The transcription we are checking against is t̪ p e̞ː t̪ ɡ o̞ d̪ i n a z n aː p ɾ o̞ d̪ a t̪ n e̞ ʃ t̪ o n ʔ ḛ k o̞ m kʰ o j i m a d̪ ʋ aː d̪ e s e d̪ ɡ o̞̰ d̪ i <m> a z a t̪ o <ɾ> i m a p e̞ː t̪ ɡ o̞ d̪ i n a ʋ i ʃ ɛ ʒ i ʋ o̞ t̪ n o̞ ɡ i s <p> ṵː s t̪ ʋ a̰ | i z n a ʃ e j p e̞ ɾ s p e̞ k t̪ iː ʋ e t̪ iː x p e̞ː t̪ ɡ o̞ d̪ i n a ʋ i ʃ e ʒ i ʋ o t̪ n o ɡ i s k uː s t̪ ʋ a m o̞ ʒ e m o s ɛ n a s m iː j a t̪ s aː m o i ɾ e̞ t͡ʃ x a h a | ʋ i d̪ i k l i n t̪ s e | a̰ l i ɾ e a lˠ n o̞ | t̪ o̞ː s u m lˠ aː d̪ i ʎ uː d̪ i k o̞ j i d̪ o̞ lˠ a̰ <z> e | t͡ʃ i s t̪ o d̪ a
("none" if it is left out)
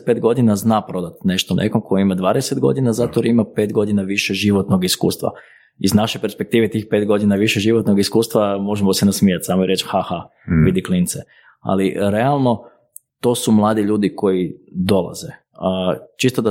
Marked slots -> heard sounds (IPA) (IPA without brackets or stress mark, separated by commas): n, ɾ, k, z